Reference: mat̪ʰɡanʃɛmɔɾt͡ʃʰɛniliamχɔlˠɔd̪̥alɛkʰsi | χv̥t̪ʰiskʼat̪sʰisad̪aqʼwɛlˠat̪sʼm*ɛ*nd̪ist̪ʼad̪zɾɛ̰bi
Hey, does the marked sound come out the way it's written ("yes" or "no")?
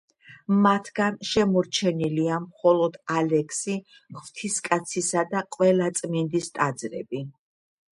no